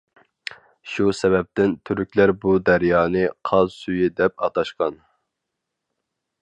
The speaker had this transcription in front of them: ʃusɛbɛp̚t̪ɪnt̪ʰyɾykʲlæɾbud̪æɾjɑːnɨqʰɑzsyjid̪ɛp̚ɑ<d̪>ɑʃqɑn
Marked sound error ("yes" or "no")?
yes